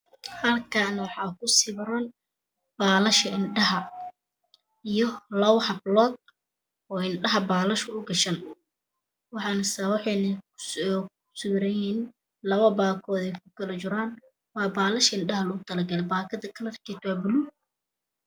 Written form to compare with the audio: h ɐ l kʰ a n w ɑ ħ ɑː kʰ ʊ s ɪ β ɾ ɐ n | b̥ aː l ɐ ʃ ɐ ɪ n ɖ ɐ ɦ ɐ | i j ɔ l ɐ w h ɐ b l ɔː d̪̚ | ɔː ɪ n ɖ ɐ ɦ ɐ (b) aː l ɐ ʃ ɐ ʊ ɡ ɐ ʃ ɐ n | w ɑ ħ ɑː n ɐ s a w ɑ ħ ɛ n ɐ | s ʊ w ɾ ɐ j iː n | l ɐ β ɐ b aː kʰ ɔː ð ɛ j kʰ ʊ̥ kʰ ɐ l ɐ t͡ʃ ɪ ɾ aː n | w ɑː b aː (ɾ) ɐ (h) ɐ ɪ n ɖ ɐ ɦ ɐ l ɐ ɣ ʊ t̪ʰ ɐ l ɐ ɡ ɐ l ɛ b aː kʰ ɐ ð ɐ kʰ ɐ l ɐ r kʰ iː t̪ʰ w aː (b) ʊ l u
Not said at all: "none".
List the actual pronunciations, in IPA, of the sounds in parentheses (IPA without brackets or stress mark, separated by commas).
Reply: b, l, ʃ, b